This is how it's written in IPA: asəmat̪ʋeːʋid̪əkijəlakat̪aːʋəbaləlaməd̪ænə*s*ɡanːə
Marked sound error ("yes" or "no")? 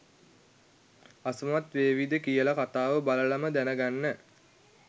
yes